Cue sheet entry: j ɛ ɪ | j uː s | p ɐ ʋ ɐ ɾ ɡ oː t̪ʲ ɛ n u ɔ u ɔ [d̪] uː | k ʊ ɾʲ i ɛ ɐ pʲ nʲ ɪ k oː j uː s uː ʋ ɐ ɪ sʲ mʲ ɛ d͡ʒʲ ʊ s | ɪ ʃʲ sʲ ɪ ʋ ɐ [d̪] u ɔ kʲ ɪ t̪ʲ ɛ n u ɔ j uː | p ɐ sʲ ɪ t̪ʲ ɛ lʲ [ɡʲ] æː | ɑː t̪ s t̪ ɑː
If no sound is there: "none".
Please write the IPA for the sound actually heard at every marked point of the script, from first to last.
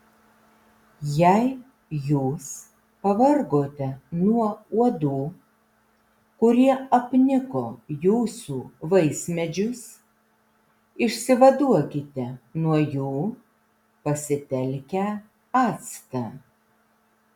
d̪, d̪, kʲ

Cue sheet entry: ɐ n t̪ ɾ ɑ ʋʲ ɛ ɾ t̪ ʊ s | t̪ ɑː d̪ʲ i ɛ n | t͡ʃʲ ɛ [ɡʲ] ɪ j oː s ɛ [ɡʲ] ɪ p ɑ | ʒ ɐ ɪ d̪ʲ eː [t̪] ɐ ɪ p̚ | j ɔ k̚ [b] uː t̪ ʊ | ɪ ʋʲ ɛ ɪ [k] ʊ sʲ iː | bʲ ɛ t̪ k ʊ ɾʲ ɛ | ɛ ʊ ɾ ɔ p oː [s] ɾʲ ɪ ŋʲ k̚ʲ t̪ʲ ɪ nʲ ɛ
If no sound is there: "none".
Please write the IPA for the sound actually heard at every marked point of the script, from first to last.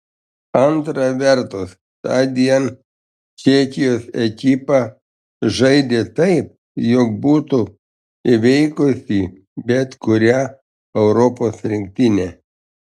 kʲ, kʲ, t̪, b, k, s

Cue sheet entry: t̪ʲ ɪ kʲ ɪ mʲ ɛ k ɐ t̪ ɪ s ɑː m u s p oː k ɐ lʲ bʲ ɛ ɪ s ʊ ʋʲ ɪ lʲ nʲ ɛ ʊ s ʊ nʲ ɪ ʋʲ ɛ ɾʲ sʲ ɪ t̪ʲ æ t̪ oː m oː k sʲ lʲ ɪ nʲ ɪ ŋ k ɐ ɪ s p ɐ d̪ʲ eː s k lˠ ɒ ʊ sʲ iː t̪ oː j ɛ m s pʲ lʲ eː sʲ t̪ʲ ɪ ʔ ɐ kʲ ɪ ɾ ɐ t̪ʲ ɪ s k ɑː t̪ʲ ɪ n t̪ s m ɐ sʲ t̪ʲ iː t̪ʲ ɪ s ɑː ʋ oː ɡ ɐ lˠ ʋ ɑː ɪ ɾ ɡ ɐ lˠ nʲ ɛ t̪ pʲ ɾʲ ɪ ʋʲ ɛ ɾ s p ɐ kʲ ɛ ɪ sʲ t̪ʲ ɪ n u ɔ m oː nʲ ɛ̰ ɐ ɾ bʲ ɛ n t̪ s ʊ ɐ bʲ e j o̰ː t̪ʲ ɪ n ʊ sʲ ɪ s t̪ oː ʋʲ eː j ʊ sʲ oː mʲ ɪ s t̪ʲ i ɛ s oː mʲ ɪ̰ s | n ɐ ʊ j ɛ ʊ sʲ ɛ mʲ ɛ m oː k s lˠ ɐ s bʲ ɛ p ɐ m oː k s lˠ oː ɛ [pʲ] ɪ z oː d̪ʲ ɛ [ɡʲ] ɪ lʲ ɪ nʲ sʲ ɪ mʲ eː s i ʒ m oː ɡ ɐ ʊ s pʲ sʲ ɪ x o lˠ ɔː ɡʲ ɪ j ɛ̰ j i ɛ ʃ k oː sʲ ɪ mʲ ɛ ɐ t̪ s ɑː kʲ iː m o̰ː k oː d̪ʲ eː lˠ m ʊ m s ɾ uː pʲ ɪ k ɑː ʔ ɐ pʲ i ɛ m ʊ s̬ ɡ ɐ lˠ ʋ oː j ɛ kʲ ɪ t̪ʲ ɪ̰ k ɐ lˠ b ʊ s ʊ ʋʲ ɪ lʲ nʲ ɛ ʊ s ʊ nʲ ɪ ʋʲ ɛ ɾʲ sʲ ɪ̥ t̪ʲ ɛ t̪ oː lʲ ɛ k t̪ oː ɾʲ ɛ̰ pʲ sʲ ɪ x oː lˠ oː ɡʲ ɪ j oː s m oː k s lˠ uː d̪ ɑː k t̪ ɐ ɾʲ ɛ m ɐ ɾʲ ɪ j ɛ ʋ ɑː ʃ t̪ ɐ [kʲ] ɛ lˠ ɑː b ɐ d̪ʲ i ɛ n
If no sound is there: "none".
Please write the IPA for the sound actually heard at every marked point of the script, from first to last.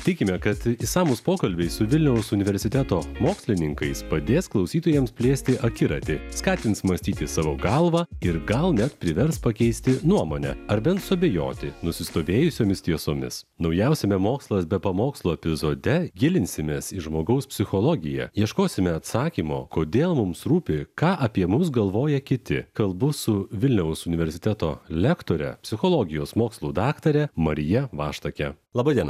pʲ, ɡʲ, kʲ

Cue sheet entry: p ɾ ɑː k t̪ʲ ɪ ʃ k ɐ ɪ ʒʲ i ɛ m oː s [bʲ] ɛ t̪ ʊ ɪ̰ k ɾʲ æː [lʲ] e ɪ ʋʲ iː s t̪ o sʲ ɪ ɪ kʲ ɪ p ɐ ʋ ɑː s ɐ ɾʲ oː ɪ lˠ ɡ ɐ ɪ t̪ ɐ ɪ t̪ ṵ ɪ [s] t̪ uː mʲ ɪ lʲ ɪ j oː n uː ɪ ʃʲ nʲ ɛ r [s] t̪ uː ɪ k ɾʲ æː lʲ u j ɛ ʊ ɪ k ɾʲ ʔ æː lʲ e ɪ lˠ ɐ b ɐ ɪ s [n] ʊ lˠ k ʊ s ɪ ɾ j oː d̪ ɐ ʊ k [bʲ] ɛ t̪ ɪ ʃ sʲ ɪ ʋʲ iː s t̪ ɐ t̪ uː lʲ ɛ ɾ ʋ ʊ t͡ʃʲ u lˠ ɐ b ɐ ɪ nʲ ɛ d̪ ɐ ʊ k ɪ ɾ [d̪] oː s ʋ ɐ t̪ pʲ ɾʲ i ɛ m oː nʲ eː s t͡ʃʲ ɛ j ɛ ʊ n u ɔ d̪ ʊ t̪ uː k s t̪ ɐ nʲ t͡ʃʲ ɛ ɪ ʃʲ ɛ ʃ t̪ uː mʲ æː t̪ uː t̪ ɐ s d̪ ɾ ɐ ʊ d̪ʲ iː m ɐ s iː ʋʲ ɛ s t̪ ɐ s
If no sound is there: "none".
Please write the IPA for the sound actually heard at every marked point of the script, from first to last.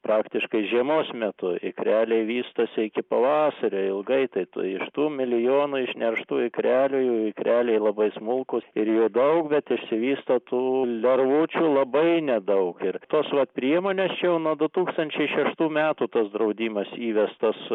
mʲ, lʲ, ʃ, ʃ, m, bʲ, t̪

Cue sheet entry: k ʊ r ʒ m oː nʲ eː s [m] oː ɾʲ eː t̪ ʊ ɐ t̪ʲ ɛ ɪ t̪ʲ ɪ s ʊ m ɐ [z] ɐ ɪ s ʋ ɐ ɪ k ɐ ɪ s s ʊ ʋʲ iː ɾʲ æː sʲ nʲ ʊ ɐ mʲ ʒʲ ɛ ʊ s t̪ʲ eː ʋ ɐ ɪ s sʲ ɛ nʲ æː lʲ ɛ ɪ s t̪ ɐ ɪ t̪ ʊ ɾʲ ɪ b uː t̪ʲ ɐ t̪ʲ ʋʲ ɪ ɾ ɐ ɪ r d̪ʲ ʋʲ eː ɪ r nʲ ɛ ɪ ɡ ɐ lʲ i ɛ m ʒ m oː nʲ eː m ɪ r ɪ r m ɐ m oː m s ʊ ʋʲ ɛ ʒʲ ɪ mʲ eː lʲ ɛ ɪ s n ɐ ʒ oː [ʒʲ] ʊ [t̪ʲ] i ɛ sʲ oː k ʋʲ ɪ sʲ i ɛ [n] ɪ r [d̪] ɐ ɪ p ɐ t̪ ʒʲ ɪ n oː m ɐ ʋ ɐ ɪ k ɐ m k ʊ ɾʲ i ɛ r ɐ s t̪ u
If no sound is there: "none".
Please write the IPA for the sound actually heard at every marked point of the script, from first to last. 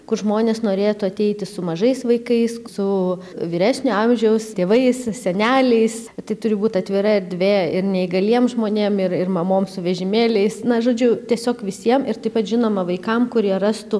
n, ʒ, d͡ʒʲ, t̪ʲ, m, t̪

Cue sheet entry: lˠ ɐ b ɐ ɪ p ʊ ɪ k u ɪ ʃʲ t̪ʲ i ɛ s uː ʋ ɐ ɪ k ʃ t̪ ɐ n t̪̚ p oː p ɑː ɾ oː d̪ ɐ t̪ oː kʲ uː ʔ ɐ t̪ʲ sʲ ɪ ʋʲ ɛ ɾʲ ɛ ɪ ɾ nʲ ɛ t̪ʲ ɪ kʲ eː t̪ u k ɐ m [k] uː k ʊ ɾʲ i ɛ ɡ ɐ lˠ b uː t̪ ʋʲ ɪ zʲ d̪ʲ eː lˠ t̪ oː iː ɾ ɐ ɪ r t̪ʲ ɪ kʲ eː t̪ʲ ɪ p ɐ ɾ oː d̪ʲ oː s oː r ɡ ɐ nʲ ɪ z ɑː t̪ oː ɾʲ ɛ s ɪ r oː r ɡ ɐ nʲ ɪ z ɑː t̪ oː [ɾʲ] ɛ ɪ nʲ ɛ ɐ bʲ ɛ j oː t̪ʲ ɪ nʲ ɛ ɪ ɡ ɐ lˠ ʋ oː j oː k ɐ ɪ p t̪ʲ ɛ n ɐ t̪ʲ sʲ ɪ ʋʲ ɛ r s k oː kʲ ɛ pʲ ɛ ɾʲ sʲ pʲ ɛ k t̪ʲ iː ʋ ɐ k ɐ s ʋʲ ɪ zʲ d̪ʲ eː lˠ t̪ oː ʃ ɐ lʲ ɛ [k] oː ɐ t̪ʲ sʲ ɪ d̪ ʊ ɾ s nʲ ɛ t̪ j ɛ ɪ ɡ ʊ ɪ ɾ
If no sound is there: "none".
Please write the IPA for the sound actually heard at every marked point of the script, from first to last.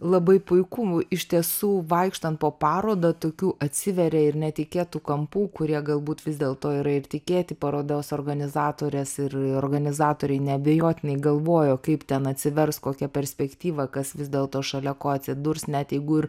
p, ɾʲ, k

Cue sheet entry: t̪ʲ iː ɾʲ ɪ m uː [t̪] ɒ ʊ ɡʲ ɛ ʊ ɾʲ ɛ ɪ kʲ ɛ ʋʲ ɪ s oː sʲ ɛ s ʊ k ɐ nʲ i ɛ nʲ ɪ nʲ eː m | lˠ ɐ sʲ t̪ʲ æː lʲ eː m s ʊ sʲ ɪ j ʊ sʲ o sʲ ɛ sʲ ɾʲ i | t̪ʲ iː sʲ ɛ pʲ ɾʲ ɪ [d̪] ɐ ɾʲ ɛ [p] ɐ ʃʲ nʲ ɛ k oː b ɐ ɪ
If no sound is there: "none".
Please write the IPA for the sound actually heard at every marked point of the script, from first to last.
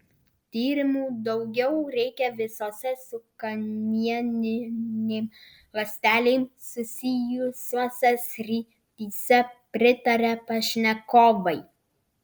d̪, t̪, p

